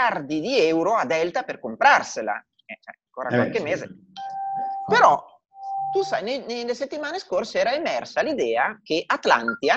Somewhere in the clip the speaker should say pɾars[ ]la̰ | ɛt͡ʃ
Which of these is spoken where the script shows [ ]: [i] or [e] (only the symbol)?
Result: e